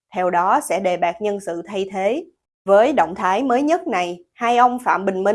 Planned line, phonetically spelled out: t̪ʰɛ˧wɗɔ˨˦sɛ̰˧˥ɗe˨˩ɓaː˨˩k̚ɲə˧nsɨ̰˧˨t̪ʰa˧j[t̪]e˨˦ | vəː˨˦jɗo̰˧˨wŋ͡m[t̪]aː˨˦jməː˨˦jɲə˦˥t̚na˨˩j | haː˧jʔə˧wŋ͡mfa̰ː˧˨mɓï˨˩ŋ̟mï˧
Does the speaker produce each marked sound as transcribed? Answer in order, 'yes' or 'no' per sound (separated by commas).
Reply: no, no